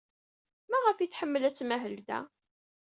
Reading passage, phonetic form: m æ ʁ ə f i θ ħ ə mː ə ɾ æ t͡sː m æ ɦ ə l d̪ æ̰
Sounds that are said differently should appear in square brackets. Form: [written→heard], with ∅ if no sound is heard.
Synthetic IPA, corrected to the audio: m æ ʁ ə f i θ ħ ə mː ə [ɾ→l] æ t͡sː m æ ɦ ə l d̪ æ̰